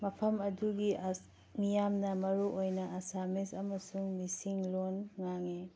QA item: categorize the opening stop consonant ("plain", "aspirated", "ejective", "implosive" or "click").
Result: aspirated